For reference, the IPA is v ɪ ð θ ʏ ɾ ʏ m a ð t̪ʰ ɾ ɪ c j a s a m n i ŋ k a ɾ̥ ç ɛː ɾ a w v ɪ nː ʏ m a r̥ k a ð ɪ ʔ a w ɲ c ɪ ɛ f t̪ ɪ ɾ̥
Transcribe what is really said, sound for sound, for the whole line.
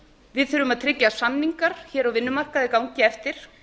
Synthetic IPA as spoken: v ɪ ð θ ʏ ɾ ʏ m a ð t̪ʰ ɾ ɪ c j a s a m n i ŋ k a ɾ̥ ç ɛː ɾ a w v ɪ nː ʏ m a r̥ k a ð ɪ k a w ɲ c ɪ ɛ f t̪ ɪ ɾ̥